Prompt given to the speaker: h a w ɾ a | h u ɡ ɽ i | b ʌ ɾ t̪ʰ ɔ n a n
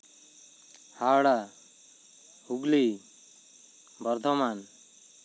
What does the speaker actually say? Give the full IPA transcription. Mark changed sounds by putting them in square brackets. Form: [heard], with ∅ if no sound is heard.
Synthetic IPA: h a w [ɽ] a | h u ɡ [l] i | b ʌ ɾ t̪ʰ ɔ [m] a n

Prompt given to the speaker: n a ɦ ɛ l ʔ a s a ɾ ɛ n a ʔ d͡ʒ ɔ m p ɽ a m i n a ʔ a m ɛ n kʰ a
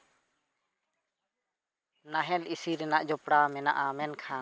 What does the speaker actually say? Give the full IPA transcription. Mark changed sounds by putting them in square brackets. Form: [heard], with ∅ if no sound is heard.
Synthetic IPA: n a ɦ ɛ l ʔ [i] s [i] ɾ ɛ n a ʔ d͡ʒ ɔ [∅] p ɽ a m [ɛ] n a ʔ a m ɛ n kʰ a

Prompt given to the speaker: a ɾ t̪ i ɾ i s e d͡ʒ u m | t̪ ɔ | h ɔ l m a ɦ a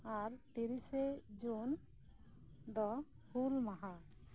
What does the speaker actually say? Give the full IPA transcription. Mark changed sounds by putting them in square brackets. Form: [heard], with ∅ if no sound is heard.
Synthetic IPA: a ɾ t̪ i ɾ i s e d͡ʒ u [n] | [d̪] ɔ | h [u] l m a ɦ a

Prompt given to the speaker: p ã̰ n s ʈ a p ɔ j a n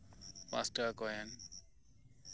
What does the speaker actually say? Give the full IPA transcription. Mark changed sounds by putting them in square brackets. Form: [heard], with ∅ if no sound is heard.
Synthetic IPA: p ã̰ [∅] s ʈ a [k] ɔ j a n

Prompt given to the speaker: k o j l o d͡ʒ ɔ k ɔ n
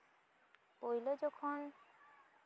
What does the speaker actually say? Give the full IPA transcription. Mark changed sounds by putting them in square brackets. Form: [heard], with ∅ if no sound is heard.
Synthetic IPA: [p] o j l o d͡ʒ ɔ [kʰ] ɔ n

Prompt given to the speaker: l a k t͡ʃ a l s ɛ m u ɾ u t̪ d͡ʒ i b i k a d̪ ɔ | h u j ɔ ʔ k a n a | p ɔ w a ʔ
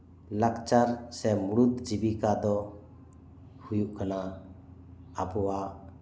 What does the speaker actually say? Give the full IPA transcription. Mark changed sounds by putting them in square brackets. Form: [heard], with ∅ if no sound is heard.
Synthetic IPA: l a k t͡ʃ a [ɾ] s ɛ m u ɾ u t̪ d͡ʒ i b i k a d̪ ɔ | h u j [u] ʔ k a n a | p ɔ w a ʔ

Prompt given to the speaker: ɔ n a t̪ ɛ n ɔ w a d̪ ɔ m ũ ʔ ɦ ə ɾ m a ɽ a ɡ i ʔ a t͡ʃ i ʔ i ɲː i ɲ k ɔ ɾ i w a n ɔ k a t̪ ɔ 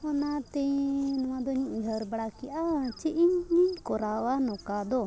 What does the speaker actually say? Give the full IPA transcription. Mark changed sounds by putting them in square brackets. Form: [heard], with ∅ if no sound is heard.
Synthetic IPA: ɔ n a t̪ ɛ n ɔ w a d̪ ɔ [ɲ] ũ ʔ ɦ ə ɾ [b] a ɽ a [k] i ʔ a t͡ʃ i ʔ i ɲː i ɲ k ɔ ɾ [a] w a n ɔ k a [d̪] ɔ

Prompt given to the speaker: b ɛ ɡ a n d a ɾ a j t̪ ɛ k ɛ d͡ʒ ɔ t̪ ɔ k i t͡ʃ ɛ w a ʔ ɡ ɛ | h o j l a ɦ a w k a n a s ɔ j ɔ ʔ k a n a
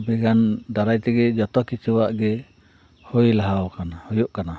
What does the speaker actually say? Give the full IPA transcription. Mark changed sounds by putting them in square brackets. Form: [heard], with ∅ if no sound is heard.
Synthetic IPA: b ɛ ɡ a n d a ɾ a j t̪ ɛ [ɡ] ɛ d͡ʒ ɔ t̪ ɔ k i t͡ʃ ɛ w a ʔ ɡ ɛ | h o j l a ɦ a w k a n a [h] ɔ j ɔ ʔ k a n a

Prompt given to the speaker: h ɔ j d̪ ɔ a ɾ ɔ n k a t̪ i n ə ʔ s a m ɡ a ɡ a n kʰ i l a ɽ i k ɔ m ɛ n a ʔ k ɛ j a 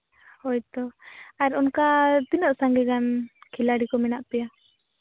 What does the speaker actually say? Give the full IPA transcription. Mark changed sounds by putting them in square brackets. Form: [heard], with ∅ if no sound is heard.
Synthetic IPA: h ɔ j [t̪] ɔ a ɾ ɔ n k a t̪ i n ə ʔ s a [ŋ] ɡ [ɛ] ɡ a n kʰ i l a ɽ i k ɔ m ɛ n a ʔ [p] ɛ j a

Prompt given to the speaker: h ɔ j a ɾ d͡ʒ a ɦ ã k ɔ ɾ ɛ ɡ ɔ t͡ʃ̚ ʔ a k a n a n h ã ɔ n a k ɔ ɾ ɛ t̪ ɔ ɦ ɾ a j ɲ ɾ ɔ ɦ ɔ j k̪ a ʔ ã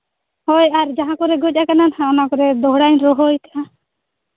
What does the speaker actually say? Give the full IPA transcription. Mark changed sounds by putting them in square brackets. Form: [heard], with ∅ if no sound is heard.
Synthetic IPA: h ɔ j a ɾ d͡ʒ a ɦ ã k ɔ ɾ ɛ ɡ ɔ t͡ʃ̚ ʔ a k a n a n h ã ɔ n a k ɔ ɾ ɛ [d̪] ɔ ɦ [ɽ] a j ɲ ɾ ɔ ɦ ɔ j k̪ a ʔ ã

